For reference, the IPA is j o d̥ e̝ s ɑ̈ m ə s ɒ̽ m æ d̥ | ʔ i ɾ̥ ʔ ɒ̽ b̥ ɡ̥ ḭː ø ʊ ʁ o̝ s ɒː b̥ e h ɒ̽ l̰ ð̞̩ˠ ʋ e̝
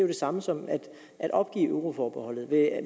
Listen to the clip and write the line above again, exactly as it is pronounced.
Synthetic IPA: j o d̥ e̝ s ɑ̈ m ə s ɒ̽ m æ d̥ | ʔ æ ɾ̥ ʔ ɒ̽ b̥ ɡ̥ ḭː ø ʊ ʁ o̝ f ɒː b̥ e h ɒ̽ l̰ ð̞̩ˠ ʋ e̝